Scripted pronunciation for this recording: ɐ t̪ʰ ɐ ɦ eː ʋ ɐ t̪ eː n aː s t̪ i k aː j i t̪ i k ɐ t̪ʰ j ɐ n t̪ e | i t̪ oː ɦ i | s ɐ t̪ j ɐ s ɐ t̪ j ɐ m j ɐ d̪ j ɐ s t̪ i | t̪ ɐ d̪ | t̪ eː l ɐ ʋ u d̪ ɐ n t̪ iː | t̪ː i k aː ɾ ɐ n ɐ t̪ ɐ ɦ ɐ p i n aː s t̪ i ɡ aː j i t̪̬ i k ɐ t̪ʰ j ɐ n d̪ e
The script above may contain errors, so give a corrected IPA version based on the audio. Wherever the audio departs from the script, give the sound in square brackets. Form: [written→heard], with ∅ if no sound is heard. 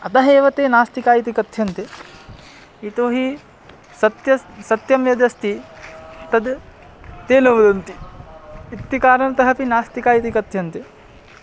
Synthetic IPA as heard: ɐ [t̪ʰ→t̪] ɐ ɦ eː ʋ ɐ t̪ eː n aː s t̪ i k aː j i t̪ i k ɐ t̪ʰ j ɐ n t̪ e | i t̪ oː ɦ i | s ɐ t̪ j ɐ s ɐ t̪ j ɐ m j ɐ d̪ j ɐ s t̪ i | t̪ ɐ d̪ | t̪ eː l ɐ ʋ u d̪ ɐ n t̪ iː | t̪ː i k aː ɾ ɐ n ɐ t̪ ɐ ɦ ɐ p i n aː s t̪ i [ɡ→k] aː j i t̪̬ i k ɐ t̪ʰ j ɐ n [d̪→t̪] e

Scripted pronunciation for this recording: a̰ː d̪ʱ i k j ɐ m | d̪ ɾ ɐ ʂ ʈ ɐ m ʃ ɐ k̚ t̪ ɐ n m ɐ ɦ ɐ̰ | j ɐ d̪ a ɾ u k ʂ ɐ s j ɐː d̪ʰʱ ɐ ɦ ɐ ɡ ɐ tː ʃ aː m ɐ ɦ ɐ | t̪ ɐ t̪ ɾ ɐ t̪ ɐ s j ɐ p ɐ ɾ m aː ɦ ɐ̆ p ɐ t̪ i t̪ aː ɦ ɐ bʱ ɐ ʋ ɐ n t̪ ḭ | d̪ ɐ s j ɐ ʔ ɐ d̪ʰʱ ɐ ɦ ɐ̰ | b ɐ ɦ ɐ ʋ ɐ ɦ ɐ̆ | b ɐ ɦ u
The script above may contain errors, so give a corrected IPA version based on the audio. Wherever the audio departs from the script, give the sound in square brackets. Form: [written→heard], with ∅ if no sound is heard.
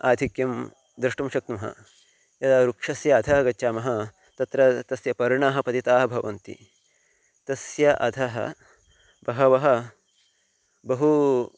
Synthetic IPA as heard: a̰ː d̪ʱ i k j ɐ m | d̪ ɾ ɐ ʂ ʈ ɐ m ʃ ɐ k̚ t̪ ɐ [n→∅] m ɐ ɦ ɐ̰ | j ɐ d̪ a ɾ u k ʂ ɐ s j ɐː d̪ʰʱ ɐ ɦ ɐ ɡ ɐ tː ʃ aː m ɐ ɦ ɐ | t̪ ɐ t̪ ɾ ɐ t̪ ɐ s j ɐ p ɐ ɾ [m→ɳ] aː ɦ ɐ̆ p ɐ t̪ i t̪ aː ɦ ɐ bʱ ɐ ʋ ɐ n t̪ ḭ | [d̪→t̪] ɐ s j ɐ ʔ ɐ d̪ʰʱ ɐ ɦ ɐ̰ | b ɐ ɦ ɐ ʋ ɐ ɦ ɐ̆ | b ɐ ɦ u

